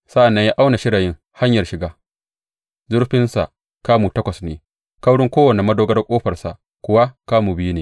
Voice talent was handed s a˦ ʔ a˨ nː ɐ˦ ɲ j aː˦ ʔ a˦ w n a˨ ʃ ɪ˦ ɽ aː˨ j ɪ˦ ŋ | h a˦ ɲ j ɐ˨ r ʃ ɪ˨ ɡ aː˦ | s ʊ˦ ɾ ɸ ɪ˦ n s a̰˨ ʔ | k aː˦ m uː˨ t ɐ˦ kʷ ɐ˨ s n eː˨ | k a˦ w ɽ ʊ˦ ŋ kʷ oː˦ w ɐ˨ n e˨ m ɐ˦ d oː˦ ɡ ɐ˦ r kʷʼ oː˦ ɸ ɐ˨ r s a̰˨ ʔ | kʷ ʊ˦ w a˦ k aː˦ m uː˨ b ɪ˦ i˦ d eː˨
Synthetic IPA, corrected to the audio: s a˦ ʔ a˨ nː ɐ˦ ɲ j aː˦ ʔ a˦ w n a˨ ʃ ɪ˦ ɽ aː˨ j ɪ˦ ŋ | h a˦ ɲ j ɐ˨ r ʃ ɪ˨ ɡ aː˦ | z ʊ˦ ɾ ɸ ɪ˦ n s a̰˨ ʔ | k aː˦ m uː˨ t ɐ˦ kʷ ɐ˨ s n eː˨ | k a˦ w ɽ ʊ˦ ŋ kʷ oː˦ w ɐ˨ n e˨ m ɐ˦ d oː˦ ɡ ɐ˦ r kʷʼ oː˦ ɸ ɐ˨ r s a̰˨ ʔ | kʷ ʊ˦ w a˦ k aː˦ m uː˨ b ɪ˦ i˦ n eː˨